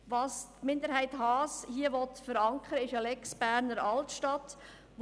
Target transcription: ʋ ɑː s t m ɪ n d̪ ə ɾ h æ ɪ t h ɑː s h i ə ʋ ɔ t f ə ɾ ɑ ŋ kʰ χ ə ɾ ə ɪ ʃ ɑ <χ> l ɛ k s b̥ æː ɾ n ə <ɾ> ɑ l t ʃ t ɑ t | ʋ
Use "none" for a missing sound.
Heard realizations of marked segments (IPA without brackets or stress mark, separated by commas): none, ɾ